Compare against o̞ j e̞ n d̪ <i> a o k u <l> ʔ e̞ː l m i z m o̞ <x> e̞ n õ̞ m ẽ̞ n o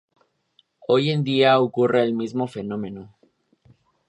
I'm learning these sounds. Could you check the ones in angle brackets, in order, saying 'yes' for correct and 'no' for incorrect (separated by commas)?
yes, no, no